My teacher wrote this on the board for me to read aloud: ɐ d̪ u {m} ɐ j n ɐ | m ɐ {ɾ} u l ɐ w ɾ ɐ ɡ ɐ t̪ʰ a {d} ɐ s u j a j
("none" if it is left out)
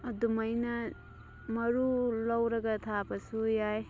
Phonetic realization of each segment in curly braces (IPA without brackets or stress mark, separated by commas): m, ɾ, b